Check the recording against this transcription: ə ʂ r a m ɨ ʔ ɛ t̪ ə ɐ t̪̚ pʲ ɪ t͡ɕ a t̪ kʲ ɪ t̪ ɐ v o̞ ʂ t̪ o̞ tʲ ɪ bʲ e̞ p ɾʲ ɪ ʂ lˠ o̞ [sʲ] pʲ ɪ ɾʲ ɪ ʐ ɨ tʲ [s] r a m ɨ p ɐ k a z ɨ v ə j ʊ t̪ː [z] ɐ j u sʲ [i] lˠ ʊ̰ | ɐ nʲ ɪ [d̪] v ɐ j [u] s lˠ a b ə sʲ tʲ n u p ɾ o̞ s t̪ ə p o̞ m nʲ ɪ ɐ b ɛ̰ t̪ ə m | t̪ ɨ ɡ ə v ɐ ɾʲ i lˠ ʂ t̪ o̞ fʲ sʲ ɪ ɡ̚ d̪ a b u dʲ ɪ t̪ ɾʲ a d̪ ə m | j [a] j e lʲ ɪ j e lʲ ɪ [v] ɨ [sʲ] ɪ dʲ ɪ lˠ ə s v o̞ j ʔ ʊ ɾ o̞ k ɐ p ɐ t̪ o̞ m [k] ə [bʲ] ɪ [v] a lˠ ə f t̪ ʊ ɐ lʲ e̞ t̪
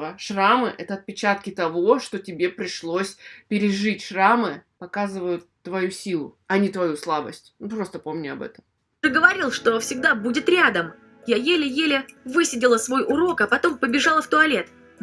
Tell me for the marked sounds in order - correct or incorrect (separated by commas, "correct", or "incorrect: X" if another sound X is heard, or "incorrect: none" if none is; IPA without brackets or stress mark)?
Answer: correct, incorrect: ʂ, incorrect: v, correct, incorrect: t̪, correct, correct, correct, correct, incorrect: p, correct, incorrect: ʐ